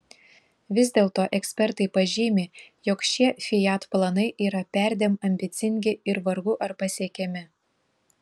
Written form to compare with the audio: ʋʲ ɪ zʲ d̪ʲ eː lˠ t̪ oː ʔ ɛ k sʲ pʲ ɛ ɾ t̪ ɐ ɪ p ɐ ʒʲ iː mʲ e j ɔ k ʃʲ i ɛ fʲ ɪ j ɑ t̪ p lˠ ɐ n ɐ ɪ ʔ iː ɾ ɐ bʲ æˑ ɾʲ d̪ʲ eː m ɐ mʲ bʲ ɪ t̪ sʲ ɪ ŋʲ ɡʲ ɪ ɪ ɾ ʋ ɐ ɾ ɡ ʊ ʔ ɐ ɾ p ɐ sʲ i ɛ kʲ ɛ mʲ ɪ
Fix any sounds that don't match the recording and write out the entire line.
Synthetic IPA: ʋʲ ɪ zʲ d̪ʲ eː lˠ t̪ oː ʔ ɛ k sʲ pʲ ɛ ɾ t̪ ɐ ɪ p ɐ ʒʲ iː mʲ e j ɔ k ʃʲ i ɛ fʲ ɪ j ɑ t̪ p lˠ ɐ n ɐ ɪ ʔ iː ɾ ɐ pʲ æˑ ɾʲ d̪ʲ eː m ɐ mʲ bʲ ɪ t̪ sʲ ɪ ŋʲ ɡʲ ɪ ɪ ɾ ʋ ɐ ɾ ɡ ʊ ʔ ɐ ɾ p ɐ sʲ i ɛ kʲ ɛ mʲ ɪ